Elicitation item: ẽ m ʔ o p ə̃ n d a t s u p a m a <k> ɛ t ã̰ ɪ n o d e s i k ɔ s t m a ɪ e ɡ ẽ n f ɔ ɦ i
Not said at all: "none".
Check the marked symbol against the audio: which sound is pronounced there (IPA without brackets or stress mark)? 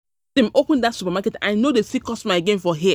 k